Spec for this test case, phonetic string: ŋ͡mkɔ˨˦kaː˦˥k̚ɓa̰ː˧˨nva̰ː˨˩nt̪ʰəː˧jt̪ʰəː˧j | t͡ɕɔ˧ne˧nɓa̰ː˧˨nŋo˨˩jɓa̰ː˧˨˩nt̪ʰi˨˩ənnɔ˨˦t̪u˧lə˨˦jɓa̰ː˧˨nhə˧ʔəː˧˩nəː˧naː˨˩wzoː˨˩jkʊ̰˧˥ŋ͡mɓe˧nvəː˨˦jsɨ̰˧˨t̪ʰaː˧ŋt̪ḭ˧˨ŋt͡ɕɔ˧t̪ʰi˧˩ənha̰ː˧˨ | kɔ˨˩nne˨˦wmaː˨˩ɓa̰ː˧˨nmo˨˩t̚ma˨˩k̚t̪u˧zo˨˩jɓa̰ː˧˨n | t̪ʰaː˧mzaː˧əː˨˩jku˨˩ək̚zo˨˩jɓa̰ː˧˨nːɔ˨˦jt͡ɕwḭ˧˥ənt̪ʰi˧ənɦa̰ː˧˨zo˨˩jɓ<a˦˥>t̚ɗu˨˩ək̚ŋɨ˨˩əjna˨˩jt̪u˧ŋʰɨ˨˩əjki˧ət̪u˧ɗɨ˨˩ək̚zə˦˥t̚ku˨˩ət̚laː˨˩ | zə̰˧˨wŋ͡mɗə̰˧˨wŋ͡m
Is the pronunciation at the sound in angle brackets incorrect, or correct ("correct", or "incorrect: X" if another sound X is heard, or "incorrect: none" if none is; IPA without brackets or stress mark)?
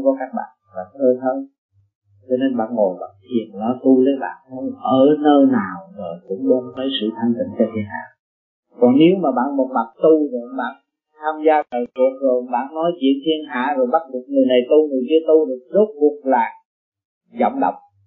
correct